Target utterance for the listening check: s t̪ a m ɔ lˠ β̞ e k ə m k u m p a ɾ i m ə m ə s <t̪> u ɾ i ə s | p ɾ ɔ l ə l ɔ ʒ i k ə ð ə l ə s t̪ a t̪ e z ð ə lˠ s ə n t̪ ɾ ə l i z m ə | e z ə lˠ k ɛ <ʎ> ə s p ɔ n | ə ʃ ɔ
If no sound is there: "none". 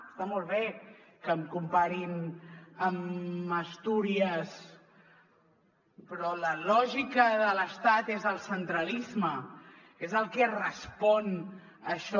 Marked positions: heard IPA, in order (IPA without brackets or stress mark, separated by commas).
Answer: t̪, r